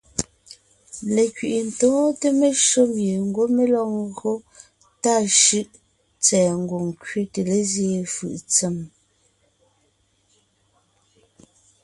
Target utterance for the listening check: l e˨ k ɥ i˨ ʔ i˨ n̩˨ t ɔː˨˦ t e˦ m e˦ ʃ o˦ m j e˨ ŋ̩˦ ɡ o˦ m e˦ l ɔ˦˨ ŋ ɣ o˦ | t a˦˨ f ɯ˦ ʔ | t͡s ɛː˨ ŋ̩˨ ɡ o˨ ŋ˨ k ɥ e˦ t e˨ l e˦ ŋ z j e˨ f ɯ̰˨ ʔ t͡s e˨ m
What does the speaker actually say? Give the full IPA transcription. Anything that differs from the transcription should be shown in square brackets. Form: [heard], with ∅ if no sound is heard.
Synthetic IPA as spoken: l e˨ k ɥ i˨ ʔ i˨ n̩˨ t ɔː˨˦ t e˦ m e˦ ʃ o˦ m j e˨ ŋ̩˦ ɡ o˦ m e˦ l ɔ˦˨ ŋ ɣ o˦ | t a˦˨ [ʃ] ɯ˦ ʔ | t͡s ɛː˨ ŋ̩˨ ɡ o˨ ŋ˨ k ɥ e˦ t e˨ l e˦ [∅] z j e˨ f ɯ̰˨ ʔ t͡s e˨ m